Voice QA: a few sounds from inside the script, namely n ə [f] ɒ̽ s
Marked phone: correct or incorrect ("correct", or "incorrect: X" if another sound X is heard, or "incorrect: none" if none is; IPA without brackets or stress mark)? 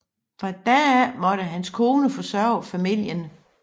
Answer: correct